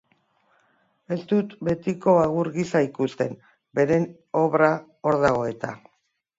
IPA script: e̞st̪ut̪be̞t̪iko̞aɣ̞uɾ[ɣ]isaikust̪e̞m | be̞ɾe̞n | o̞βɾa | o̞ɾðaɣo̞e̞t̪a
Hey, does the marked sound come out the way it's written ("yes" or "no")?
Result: yes